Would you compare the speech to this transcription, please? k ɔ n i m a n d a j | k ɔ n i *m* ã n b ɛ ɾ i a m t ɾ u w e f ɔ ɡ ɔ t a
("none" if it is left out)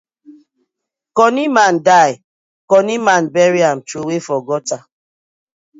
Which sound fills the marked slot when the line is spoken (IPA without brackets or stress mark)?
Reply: m